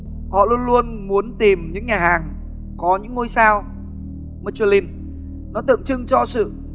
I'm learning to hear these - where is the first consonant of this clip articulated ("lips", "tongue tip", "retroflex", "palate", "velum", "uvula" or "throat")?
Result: throat